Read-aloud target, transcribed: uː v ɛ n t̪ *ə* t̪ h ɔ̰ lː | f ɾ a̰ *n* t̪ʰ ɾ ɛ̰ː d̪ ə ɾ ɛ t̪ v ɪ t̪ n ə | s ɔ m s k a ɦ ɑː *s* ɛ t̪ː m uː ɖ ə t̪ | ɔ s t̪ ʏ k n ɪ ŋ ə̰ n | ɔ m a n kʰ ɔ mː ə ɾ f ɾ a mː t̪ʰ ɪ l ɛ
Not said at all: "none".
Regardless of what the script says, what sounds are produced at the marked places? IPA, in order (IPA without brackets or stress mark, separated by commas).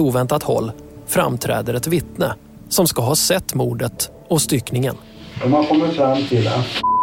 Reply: a, m, s